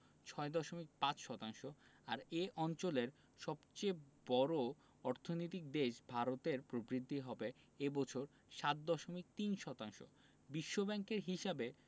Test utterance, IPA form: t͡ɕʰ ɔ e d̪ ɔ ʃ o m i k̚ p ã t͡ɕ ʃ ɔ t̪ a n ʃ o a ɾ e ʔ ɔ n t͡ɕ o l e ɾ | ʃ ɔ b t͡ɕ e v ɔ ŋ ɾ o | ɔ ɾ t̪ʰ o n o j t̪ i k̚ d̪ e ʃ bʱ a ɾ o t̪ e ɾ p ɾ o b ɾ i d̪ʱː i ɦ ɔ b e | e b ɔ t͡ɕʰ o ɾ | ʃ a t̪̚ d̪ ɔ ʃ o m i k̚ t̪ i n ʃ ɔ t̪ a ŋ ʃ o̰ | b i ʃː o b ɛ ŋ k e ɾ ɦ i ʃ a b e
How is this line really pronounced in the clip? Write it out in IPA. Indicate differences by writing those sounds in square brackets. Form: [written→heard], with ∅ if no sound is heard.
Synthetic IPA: t͡ɕʰ ɔ e d̪ ɔ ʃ o m i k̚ p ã t͡ɕ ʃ ɔ t̪ a [n→ŋ] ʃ o a ɾ e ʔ ɔ n t͡ɕ o l e ɾ | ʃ ɔ b t͡ɕ e [v→b] ɔ [ŋ→∅] ɾ o | ɔ ɾ t̪ʰ o n o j t̪ i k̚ d̪ e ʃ bʱ a ɾ o t̪ e ɾ p ɾ o b ɾ i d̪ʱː i ɦ ɔ b e | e b ɔ t͡ɕʰ o ɾ | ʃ a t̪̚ d̪ ɔ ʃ o m i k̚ t̪ i n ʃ ɔ t̪ a ŋ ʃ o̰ | b i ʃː o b ɛ ŋ k e ɾ ɦ i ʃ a b e